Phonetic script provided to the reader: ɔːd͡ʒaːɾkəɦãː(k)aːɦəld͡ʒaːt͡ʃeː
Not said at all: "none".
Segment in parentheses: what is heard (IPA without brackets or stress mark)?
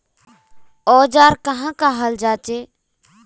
k